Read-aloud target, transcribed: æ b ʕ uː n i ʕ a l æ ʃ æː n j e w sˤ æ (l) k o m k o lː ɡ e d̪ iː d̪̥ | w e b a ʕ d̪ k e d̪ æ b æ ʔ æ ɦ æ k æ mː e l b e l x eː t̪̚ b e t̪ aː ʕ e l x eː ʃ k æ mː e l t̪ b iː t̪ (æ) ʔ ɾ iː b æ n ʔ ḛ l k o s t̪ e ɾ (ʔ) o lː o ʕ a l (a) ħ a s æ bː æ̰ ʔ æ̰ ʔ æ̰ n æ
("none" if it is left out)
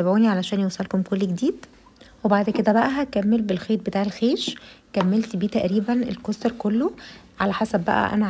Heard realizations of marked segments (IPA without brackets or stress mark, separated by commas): l, æ, k, æ